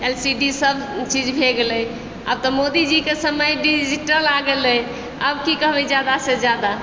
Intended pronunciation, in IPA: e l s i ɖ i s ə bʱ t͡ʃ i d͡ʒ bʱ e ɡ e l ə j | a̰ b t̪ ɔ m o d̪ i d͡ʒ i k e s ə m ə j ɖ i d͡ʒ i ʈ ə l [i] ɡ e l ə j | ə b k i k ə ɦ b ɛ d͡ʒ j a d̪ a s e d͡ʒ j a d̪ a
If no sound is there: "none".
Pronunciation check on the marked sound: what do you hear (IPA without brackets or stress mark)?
a